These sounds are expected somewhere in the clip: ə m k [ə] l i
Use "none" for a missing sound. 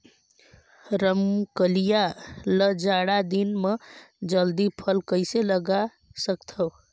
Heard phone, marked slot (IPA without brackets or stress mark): ə